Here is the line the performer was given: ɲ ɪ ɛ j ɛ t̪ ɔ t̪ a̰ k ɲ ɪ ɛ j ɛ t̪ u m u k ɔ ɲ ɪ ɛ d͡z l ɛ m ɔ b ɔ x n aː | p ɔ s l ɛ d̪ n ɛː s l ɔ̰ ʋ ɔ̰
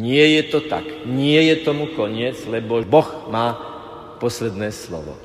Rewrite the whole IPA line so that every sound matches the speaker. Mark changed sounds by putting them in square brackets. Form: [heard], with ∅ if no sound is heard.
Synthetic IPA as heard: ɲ ɪ ɛ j ɛ t̪ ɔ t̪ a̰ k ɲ ɪ ɛ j ɛ t̪ [ɔ] m u k ɔ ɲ ɪ ɛ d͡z l ɛ [b] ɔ b ɔ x [m] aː | p ɔ s l ɛ d̪ n ɛː s l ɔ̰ ʋ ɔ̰